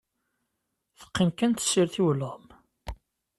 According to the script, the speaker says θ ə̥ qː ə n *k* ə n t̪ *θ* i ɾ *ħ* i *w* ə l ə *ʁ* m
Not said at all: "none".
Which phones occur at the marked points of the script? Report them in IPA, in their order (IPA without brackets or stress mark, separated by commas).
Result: k, s, θ, w, ʁ